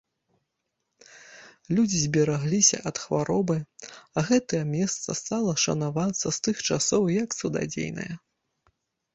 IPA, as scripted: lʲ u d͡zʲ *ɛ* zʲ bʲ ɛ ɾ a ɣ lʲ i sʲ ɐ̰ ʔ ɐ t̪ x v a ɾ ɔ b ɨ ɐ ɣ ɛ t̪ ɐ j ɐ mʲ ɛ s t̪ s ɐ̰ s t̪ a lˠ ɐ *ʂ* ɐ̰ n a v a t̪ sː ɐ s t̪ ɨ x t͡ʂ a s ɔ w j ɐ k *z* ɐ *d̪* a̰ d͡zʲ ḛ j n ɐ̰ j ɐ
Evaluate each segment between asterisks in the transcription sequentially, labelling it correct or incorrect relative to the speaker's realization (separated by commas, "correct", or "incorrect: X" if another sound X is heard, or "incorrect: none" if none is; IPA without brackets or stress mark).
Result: incorrect: i, correct, incorrect: s, correct